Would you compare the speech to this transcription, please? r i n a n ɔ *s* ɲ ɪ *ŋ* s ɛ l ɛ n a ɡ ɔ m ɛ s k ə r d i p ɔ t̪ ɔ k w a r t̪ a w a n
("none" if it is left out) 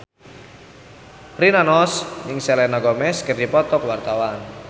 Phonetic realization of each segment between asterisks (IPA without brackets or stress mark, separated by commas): s, ŋ